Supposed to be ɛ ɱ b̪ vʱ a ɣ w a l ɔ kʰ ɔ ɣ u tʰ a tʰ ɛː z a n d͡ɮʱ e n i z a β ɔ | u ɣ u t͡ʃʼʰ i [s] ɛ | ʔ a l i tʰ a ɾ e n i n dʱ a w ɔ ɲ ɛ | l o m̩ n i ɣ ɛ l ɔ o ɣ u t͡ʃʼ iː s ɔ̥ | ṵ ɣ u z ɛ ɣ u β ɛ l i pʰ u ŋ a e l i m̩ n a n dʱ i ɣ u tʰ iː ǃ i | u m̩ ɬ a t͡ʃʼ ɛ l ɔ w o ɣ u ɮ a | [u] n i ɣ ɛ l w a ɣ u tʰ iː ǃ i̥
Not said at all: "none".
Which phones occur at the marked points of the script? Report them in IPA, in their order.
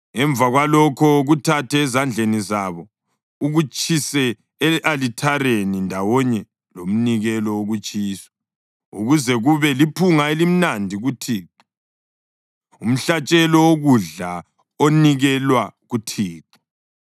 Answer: s, o

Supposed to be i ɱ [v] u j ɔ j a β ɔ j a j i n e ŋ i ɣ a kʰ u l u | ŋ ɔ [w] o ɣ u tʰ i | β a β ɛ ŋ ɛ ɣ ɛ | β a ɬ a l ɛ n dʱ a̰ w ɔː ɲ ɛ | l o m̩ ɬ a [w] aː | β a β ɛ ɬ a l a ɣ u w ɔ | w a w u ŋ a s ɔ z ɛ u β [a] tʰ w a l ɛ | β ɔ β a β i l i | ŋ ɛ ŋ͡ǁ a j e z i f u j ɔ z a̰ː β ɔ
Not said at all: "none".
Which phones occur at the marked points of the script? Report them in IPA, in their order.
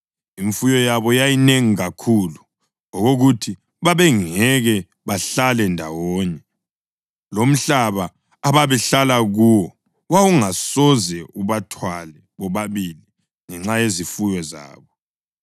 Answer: f, ɣ, β, a

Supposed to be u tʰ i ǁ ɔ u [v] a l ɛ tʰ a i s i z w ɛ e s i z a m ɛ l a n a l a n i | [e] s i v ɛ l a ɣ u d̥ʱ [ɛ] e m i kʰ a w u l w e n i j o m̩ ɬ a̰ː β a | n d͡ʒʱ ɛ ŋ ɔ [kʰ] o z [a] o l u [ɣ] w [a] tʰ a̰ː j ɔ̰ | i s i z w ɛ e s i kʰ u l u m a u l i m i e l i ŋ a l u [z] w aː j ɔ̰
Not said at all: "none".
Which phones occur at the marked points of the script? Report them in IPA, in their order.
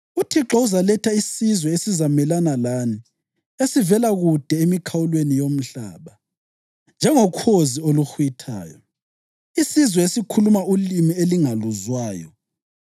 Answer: z, e, ɛ, kʰ, i, x, i, z

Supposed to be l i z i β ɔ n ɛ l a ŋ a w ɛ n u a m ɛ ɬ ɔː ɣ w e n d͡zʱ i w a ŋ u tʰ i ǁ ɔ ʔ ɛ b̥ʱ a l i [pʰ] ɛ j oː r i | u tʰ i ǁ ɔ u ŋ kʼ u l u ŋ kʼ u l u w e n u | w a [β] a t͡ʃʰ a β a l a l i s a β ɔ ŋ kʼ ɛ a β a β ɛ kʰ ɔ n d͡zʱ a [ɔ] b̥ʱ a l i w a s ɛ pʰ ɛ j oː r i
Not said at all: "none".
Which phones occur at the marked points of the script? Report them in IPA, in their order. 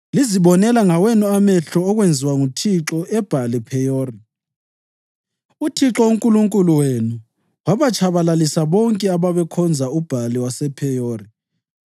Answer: pʰ, β, u

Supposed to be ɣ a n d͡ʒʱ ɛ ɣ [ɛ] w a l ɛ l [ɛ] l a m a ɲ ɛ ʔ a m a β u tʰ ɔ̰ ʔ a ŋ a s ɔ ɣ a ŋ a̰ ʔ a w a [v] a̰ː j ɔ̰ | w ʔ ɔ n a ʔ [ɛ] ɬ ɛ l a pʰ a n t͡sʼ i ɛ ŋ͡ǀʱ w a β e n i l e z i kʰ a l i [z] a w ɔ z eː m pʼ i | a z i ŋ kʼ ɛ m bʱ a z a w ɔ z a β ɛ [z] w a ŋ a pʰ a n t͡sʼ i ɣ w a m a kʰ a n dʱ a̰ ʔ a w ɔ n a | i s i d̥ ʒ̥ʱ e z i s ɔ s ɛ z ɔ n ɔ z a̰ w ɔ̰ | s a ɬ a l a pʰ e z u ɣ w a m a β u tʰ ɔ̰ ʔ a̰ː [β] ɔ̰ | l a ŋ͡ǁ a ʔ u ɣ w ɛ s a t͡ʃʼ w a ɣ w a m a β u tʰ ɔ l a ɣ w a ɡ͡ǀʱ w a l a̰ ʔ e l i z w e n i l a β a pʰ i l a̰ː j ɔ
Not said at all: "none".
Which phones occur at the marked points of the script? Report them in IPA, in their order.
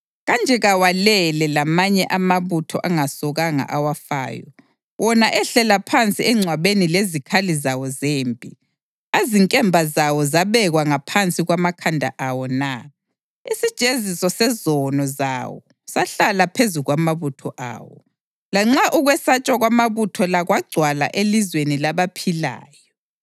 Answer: a, ɛ, f, ɛ, z, ɣ, w

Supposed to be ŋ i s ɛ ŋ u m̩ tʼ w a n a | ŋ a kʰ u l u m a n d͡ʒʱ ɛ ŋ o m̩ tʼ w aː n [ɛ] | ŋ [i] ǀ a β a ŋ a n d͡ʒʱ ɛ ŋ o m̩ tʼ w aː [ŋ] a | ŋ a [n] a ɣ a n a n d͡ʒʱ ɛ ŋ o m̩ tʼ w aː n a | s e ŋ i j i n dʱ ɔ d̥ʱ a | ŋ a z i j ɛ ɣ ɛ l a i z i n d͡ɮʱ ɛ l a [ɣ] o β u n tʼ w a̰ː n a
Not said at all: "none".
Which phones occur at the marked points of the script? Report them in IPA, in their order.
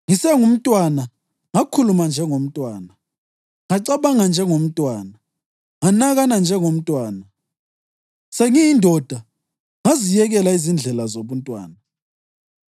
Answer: a, a, n, n, z

